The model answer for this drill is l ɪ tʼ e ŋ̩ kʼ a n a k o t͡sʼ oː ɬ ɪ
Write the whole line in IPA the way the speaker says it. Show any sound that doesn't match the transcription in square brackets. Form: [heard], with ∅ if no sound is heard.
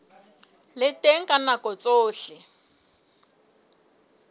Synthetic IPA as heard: l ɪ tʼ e ŋ̩ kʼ a n a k [ɔ] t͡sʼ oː ɬ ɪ

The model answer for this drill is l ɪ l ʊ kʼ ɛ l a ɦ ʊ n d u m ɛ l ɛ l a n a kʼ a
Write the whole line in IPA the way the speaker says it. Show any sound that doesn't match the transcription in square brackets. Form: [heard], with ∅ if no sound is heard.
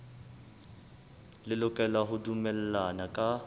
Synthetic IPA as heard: l ɪ l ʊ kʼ ɛ l a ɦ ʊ [∅] d u m ɛ l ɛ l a n a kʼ a

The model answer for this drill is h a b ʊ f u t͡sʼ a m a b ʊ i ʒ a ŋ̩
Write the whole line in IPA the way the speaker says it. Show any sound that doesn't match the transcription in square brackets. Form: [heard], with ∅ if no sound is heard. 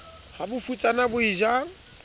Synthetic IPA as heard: h a b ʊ f u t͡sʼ a [n] a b ʊ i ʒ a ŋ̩

